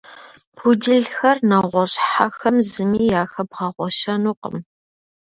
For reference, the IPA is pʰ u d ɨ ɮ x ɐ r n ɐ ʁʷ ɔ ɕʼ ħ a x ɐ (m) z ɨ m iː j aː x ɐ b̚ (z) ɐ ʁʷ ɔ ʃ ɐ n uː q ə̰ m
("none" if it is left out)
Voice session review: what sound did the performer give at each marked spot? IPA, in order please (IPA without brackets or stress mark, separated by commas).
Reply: m, ʁ